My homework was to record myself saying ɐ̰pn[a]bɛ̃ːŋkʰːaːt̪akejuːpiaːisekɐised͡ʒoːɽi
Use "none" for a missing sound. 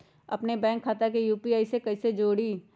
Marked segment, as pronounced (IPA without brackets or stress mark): e